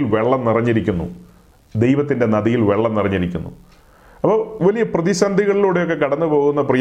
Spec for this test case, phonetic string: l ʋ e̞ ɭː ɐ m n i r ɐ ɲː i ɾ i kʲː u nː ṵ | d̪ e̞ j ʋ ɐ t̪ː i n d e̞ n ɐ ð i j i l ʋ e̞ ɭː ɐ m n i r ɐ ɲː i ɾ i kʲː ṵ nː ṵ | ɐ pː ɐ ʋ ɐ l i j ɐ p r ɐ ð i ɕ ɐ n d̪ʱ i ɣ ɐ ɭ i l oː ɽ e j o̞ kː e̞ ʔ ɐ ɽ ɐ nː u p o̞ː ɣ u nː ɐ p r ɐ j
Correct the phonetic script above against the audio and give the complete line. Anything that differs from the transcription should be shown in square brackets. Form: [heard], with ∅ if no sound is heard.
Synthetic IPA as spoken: l ʋ e̞ ɭː ɐ m n i r ɐ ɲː i ɾ i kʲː u nː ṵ | d̪ e̞ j ʋ ɐ t̪ː i n d e̞ n ɐ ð i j i l ʋ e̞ ɭː ɐ m n i r ɐ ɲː i ɾ i kʲː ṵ nː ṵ | ɐ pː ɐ ʋ ɐ l i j ɐ p r ɐ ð i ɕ ɐ n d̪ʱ i ɣ ɐ ɭ i l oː ɽ e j o̞ kː e̞ [k] ɐ ɽ ɐ nː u p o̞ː ɣ u nː ɐ p r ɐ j